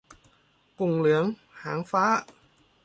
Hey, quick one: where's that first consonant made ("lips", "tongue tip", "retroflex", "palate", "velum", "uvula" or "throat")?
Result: velum